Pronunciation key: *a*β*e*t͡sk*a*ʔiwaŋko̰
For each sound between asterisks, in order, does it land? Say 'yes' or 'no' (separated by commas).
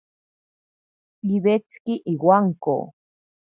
no, yes, no